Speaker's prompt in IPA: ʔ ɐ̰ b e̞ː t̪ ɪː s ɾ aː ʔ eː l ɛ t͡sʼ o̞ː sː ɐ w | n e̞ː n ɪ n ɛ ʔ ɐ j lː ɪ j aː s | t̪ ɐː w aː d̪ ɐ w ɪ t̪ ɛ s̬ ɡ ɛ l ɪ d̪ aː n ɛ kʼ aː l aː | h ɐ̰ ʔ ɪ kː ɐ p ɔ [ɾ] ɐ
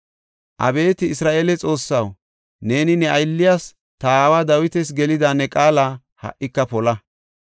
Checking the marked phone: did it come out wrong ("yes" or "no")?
yes